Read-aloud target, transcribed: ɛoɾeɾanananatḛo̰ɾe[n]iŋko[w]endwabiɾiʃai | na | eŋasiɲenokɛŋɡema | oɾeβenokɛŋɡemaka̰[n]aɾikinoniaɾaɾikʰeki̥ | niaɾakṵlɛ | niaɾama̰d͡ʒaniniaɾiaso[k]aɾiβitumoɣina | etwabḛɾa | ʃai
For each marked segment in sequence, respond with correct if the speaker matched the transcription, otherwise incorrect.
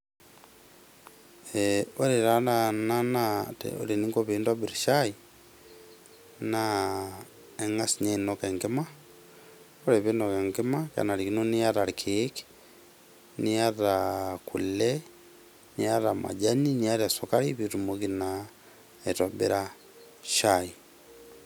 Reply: correct, incorrect, correct, correct

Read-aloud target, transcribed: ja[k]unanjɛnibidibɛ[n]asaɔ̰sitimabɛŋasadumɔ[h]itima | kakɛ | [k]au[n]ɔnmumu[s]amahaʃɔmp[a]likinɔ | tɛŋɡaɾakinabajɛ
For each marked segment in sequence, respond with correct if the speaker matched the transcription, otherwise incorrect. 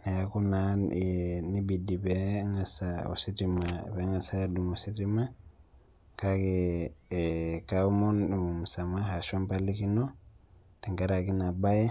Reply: correct, incorrect, incorrect, correct, incorrect, correct, correct

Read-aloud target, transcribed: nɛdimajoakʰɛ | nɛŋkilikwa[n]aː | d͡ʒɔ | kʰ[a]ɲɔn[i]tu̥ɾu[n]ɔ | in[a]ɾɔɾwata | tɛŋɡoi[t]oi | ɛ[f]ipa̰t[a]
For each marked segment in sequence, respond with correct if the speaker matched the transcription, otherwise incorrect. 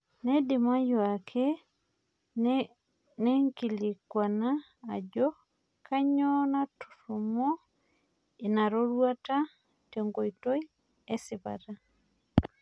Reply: correct, correct, incorrect, incorrect, correct, correct, incorrect, correct

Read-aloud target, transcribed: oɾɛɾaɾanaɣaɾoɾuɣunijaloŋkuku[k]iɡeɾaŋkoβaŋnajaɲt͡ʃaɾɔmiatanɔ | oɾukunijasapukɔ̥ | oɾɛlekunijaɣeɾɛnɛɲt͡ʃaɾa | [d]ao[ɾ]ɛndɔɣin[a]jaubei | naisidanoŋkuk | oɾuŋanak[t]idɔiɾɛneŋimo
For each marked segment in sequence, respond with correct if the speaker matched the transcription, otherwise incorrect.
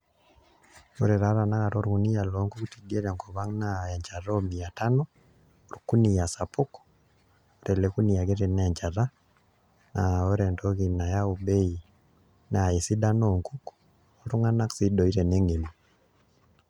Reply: incorrect, incorrect, correct, correct, incorrect

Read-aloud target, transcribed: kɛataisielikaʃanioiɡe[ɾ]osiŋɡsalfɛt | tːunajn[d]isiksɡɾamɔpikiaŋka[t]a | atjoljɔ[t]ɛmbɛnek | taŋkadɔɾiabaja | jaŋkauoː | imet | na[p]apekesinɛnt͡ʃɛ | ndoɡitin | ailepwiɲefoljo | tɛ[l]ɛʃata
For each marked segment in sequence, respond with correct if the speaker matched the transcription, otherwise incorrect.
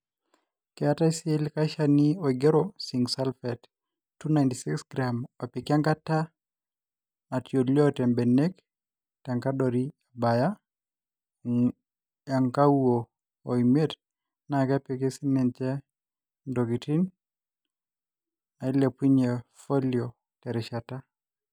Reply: correct, incorrect, correct, correct, incorrect, incorrect

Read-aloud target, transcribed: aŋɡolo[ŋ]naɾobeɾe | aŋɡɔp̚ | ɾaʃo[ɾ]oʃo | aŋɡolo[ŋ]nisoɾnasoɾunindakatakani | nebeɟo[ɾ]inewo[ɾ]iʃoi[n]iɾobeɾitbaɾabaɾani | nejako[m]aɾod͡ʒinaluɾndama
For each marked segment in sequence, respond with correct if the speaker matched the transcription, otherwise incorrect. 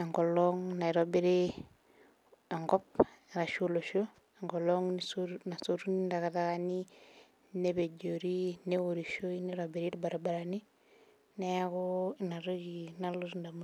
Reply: correct, incorrect, correct, correct, correct, correct, incorrect

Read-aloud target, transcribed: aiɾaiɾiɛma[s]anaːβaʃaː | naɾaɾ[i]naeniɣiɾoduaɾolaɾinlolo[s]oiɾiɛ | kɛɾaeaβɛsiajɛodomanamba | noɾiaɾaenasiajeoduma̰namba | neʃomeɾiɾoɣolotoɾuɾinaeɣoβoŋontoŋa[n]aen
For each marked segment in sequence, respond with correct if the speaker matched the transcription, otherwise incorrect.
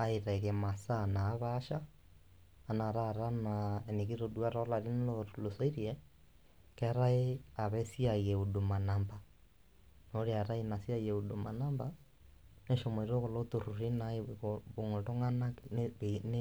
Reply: correct, incorrect, correct, correct

